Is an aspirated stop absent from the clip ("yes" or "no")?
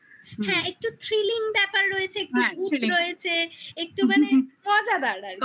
no